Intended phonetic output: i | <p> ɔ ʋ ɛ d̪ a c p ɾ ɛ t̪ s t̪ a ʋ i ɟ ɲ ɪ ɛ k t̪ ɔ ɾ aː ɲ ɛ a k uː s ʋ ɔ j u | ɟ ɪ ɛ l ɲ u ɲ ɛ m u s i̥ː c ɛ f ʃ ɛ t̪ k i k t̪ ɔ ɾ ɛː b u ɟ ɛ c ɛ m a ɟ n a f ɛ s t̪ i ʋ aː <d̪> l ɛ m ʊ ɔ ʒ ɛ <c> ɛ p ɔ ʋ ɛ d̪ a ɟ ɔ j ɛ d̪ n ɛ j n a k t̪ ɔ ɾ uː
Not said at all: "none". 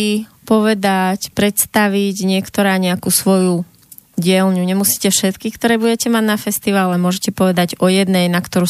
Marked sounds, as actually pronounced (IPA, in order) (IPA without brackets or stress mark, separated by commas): p, none, c